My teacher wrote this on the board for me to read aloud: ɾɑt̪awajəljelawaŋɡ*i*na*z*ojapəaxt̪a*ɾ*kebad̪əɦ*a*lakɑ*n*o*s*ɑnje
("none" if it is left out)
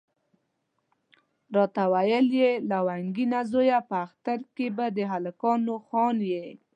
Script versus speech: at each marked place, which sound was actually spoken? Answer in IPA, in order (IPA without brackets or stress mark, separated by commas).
i, z, ɾ, a, n, x